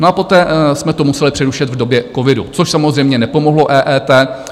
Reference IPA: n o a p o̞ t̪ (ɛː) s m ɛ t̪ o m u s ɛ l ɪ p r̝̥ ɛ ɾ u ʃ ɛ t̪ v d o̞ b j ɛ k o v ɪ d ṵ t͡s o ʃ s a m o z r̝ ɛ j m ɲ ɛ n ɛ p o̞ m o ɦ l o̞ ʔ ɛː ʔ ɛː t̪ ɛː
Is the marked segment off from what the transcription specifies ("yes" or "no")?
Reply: no